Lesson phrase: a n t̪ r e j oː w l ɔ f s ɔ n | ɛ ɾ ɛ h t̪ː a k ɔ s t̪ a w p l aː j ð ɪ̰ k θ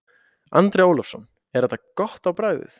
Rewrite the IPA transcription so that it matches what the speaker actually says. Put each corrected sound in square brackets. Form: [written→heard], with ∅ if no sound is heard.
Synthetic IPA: a n t̪ [r→ɾ] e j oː w l ɔ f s ɔ n | ɛ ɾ ɛ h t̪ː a k ɔ [s→h] t̪ a w p [l→ɾ] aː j ð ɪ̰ [k→∅] θ